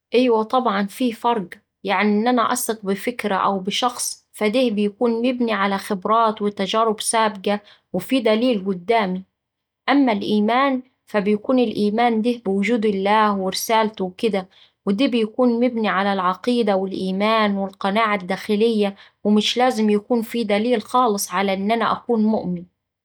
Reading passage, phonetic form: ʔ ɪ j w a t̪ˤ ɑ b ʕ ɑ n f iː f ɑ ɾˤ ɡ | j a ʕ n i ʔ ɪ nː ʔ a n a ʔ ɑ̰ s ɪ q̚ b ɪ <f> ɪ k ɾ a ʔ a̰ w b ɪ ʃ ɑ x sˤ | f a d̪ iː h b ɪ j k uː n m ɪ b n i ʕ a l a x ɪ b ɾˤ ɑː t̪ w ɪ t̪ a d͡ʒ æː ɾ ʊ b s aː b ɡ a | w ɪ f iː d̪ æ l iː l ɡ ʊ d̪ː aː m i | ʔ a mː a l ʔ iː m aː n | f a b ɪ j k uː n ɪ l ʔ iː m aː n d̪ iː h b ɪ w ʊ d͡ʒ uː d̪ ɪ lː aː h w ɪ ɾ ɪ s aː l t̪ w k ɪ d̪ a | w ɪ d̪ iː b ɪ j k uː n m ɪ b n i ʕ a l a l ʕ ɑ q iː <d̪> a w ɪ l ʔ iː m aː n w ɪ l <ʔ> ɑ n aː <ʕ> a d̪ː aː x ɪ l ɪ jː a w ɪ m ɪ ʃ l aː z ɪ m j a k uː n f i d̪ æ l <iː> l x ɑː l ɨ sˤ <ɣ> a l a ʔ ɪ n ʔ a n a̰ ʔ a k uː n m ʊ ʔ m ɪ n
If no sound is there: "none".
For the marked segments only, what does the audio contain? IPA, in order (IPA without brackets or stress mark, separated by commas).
f, d̪, q, ʕ, iː, ʕ